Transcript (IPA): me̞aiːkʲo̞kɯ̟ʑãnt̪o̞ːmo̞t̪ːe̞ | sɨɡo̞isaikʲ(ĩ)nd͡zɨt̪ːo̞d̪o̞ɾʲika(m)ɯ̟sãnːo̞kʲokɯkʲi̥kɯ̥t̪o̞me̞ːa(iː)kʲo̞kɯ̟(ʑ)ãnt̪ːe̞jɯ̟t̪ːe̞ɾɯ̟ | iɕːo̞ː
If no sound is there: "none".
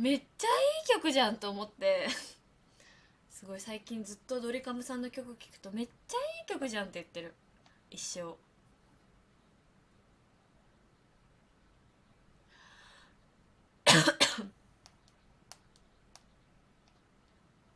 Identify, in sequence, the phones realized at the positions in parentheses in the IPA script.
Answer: ĩ, m, iː, ʑ

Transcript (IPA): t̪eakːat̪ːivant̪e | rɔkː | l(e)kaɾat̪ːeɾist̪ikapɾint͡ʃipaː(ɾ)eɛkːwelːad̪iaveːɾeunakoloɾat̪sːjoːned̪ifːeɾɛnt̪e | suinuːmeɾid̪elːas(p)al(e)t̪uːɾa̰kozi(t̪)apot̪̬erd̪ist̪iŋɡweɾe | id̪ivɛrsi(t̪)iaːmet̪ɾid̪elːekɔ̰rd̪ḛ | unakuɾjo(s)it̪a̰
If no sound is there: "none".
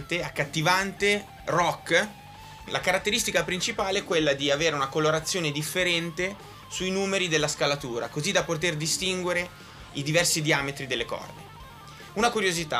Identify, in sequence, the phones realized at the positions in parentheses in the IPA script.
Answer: a, l, k, a, d̪, d̪, z

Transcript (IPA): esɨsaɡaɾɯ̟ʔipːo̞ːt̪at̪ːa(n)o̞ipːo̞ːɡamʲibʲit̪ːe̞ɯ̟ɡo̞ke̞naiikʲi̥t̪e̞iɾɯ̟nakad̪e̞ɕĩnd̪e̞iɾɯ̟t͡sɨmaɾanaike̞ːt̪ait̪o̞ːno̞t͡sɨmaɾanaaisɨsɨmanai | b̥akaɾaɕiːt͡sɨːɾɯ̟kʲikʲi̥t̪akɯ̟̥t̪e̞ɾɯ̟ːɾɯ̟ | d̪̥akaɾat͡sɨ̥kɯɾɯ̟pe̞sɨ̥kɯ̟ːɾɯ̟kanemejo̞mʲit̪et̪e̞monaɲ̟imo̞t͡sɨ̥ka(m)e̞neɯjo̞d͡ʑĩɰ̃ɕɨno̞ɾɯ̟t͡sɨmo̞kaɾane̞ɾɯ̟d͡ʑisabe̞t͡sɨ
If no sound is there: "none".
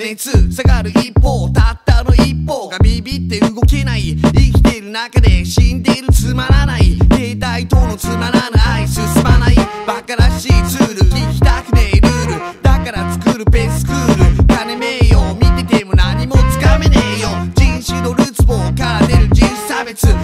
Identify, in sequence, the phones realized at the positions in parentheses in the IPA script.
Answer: n, m

